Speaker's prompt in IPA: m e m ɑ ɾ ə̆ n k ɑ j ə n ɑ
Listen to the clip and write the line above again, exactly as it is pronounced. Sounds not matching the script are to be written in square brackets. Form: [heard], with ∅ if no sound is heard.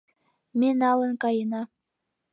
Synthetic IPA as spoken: m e [n] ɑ [l] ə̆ n k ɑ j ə n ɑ